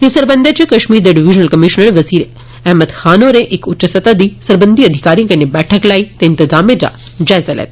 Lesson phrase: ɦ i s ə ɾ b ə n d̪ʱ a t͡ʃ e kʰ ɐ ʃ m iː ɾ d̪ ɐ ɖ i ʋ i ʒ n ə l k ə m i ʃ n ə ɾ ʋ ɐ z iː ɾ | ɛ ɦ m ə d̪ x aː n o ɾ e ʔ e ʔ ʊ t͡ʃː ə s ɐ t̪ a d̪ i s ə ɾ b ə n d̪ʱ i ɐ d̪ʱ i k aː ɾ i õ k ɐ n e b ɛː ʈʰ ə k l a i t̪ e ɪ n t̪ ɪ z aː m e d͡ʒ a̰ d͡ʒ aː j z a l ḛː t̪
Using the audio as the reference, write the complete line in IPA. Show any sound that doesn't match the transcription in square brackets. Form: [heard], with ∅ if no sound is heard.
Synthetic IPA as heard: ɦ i s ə ɾ b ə n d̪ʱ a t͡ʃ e [k] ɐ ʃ m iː ɾ d̪ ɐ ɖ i ʋ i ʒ n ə l k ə m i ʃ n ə ɾ ʋ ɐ z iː ɾ | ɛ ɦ m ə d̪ x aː n o ɾ e ʔ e [k] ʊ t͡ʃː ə s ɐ t̪ a d̪ i s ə ɾ b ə n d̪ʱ i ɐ d̪ʱ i k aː ɾ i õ k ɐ n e b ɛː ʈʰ ə k l a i t̪ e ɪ n t̪ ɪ z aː m e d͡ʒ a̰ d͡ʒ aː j z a l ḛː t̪

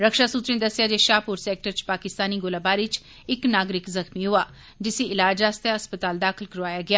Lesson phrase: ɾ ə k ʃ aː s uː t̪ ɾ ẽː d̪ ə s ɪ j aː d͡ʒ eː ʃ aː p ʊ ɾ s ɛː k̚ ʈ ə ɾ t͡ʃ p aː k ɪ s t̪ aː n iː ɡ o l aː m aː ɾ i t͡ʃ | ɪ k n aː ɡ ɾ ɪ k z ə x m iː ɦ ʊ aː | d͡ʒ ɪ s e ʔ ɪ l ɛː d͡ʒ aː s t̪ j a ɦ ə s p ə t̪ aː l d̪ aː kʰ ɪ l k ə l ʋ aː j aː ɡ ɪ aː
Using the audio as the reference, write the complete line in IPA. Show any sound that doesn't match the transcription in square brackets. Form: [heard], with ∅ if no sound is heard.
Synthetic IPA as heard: ɾ ə k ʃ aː s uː t̪ ɾ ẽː d̪ ə s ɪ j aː d͡ʒ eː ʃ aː p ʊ ɾ s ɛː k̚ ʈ ə ɾ t͡ʃ p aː k ɪ s t̪ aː n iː ɡ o l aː [b] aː ɾ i t͡ʃ | ɪ k n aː ɡ ɾ ɪ k z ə x m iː ɦ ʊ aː | d͡ʒ ɪ s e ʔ ɪ l [aː] d͡ʒ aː s t̪ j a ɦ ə s p ə t̪ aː l d̪ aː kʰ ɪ l k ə [ɾ] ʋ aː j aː ɡ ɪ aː

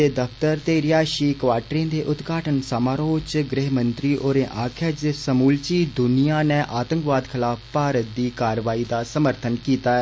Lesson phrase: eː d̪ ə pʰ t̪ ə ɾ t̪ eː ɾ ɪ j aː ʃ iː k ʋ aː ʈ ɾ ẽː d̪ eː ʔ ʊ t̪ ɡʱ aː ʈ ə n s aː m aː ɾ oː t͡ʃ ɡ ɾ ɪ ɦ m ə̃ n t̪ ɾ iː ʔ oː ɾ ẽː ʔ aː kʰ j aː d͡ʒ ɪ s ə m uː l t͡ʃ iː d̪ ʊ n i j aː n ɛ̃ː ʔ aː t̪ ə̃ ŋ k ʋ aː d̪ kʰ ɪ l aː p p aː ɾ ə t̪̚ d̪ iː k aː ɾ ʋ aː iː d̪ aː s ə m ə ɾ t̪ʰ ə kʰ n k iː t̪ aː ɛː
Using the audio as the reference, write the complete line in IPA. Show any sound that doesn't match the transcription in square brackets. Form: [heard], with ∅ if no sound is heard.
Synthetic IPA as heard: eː d̪ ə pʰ t̪ ə ɾ t̪ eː ɾ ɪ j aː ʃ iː k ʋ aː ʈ ɾ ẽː d̪ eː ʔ ʊ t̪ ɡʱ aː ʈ ə n s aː m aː ɾ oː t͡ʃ ɡ ɾ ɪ ɦ m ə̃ n t̪ ɾ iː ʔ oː ɾ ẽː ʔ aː kʰ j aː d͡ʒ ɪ s ə m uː l t͡ʃ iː d̪ ʊ n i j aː n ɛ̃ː ʔ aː t̪ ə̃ ŋ k ʋ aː d̪ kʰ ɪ l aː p p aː ɾ ə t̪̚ d̪ iː k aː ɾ ʋ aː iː d̪ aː s ə m ə ɾ t̪ʰ ə [∅] n k iː t̪ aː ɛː

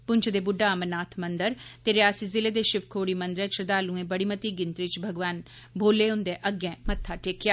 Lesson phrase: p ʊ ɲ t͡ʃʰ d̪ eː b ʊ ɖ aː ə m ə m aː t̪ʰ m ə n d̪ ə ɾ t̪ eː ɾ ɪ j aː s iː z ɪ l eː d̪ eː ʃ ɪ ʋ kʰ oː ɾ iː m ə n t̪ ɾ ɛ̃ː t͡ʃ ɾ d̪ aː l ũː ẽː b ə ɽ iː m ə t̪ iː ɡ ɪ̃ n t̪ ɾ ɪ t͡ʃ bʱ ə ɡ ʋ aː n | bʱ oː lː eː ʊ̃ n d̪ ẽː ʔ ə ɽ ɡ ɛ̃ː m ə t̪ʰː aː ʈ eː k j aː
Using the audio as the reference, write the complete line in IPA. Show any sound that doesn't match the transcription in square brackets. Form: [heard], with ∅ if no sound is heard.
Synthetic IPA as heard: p ʊ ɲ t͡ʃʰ d̪ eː b ʊ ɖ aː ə m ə [n] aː t̪ʰ m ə n d̪ ə ɾ t̪ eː ɾ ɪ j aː s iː z ɪ l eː d̪ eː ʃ ɪ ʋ kʰ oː [ɽ] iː m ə n [d̪] ɾ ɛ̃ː t͡ʃ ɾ d̪ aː l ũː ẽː b ə ɽ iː m ə t̪ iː ɡ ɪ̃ n t̪ ɾ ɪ t͡ʃ bʱ ə ɡ ʋ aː n | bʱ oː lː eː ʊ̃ n d̪ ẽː ʔ ə [∅] ɡ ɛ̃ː m ə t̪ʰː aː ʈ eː k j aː

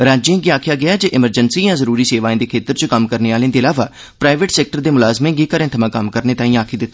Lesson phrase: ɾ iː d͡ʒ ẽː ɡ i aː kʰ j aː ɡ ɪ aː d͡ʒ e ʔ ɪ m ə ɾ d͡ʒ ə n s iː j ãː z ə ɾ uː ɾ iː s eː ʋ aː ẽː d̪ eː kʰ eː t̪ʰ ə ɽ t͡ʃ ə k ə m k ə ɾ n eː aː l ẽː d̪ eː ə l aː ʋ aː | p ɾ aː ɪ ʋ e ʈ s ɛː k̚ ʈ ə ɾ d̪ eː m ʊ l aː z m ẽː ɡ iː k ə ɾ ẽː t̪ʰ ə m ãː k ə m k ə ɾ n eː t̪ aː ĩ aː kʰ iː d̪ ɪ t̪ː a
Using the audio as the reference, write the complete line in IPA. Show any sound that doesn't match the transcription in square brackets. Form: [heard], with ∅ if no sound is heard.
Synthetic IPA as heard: ɾ [aː] d͡ʒ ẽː ɡ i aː kʰ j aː ɡ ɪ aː d͡ʒ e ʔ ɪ m ə ɾ d͡ʒ ə n s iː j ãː z ə ɾ uː ɾ iː s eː ʋ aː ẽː d̪ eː kʰ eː [t̪] ə [ɾ] t͡ʃ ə k ə m k ə ɾ n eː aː l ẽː d̪ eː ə l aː ʋ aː | p ɾ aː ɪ ʋ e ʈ s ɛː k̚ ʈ ə ɾ d̪ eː m ʊ l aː z m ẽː ɡ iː k ə ɾ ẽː t̪ʰ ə m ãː k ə m k ə ɾ n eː t̪ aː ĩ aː kʰ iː d̪ ɪ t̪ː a

